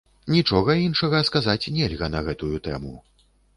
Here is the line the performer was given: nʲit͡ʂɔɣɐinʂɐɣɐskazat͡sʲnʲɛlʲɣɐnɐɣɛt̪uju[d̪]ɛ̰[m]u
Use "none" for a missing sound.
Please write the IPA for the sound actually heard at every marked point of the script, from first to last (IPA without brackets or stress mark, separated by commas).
t̪, m